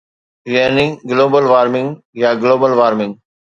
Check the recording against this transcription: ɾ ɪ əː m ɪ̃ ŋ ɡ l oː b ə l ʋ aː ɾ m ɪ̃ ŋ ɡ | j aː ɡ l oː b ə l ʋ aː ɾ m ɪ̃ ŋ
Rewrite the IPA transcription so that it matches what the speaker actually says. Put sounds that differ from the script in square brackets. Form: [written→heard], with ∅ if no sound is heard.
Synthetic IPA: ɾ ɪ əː [m→n] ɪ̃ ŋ ɡ l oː b ə l ʋ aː ɾ m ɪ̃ ŋ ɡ | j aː ɡ l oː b ə l ʋ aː ɾ m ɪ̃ ŋ